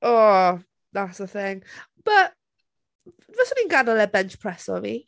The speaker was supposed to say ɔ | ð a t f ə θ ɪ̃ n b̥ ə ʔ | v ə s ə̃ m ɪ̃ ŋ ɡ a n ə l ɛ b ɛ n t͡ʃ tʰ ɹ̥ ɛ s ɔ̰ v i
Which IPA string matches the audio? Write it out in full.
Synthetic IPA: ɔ | ð a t s ə θ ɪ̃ ŋ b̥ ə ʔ | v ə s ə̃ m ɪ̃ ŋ ɡ a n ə l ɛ b ɛ n t͡ʃ pʰ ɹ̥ ɛ s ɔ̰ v i